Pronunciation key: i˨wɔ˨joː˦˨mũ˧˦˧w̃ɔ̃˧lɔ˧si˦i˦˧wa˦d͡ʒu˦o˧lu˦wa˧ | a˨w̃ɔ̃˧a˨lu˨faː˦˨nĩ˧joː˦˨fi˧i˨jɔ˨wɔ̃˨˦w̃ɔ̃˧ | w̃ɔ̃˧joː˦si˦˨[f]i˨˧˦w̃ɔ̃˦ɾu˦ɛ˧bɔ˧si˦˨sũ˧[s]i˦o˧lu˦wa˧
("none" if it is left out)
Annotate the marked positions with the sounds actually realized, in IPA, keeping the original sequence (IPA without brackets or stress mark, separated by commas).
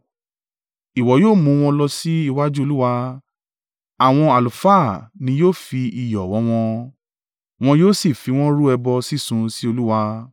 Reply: f, s